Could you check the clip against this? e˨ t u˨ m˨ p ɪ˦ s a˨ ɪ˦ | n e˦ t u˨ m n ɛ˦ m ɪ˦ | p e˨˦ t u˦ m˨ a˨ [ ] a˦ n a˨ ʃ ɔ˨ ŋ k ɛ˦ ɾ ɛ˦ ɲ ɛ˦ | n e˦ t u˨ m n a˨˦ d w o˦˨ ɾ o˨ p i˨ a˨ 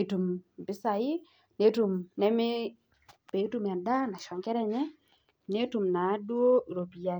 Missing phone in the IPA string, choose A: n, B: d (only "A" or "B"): B